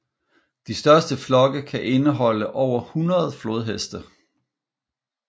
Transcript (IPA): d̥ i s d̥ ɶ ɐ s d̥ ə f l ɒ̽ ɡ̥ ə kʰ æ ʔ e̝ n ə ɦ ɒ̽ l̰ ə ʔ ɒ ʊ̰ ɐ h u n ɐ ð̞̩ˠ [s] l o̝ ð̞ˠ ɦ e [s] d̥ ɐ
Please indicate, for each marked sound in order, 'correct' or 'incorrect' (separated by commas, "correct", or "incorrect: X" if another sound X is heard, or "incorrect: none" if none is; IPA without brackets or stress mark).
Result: incorrect: f, correct